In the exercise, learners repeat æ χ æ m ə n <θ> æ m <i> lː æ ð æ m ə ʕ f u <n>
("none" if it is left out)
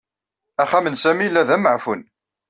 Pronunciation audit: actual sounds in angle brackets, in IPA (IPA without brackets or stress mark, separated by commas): s, i, n